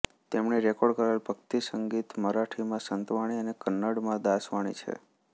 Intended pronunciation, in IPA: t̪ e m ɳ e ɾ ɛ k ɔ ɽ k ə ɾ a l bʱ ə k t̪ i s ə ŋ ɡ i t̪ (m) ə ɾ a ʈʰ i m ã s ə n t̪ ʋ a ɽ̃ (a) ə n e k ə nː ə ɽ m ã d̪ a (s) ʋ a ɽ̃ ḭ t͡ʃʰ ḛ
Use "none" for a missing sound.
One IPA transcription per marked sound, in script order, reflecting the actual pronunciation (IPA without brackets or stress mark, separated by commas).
m, i, s